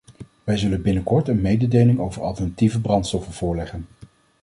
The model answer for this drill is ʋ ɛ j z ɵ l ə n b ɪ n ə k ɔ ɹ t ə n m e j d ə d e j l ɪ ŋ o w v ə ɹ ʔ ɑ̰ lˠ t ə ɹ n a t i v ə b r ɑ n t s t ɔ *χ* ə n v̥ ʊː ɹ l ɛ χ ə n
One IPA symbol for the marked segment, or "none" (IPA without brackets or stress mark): f